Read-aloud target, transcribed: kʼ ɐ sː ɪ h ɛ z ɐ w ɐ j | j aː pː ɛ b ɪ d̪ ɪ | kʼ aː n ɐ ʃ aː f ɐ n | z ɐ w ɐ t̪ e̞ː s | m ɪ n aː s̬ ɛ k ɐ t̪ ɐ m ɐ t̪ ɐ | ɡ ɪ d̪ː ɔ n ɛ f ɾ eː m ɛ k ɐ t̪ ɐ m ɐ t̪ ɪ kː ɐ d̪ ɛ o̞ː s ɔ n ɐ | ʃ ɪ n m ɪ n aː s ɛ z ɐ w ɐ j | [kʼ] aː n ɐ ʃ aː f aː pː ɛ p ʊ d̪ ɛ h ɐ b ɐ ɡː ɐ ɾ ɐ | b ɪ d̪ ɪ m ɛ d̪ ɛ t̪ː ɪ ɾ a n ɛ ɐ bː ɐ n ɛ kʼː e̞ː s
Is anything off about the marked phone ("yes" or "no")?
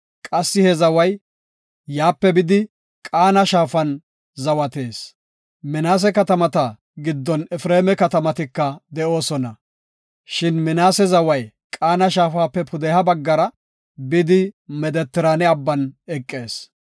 no